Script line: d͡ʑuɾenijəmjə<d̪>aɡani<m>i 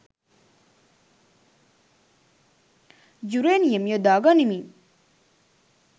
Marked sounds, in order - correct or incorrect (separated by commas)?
correct, correct